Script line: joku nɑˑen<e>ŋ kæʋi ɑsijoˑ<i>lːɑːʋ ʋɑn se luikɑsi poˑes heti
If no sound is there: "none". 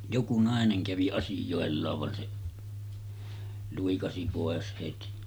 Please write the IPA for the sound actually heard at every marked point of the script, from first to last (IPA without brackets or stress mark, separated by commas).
e, e